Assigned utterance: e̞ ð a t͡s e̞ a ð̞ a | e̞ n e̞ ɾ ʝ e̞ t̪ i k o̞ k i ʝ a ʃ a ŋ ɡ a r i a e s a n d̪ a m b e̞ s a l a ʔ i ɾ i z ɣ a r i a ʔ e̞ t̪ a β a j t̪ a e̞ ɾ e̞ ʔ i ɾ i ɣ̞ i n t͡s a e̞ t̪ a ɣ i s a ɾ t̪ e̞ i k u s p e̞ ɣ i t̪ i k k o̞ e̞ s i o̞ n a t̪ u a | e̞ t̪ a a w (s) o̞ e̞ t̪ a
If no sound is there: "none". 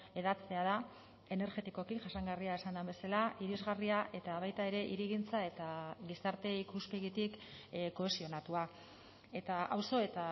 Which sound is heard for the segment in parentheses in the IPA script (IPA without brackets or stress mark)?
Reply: s